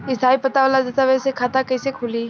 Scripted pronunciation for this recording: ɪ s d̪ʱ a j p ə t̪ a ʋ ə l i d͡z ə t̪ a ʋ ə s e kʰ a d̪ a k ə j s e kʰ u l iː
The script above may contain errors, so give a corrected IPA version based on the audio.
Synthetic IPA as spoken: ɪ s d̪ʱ a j p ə t̪ a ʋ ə l a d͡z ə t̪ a ʋ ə s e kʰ a t̪ a k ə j s e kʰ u l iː